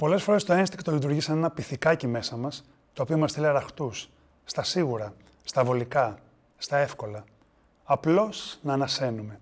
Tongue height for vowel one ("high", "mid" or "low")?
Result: mid